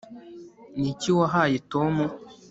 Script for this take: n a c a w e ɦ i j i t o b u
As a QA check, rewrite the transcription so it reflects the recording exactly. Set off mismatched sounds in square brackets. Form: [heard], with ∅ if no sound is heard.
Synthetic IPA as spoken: n [i] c [i] w [a] ɦ [a] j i t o [m] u